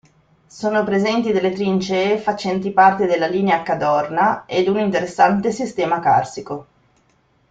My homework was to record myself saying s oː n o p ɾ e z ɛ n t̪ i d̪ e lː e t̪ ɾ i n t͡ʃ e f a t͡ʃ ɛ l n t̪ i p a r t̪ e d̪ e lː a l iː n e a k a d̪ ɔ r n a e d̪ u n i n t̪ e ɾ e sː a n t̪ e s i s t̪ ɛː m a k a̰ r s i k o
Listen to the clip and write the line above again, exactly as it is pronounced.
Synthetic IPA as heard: s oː n o p ɾ e z ɛ n t̪ i d̪ e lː e t̪ ɾ i n t͡ʃ e f a t͡ʃ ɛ n t̪ i p a r t̪ e d̪ e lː a l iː n e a k a d̪ ɔ r n a e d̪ u n i n t̪ e ɾ e sː a n t̪ e s i s t̪ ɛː m a k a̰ r s i k o